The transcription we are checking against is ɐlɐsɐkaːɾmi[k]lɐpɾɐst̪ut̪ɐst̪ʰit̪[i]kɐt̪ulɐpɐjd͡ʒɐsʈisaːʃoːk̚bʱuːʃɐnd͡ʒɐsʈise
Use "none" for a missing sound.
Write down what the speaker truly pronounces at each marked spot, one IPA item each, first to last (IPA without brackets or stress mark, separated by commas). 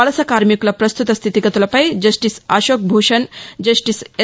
k, i